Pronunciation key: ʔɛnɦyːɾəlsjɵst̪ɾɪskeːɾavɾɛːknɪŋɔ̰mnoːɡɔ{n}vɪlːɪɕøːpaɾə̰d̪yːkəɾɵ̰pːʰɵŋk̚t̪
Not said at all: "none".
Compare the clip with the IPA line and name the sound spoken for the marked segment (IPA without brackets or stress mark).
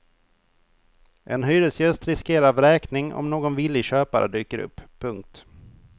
n